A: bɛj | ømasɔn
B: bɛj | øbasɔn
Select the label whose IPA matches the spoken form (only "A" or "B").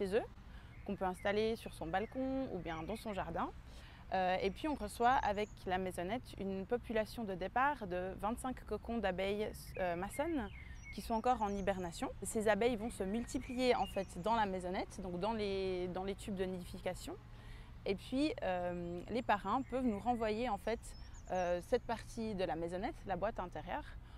A